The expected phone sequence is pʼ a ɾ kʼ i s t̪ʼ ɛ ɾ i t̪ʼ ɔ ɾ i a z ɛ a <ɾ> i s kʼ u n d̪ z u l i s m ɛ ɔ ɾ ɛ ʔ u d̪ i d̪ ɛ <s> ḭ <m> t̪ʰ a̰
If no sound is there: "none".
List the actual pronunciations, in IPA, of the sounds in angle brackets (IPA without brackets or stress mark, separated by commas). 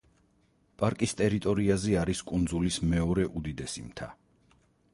ɾ, s, m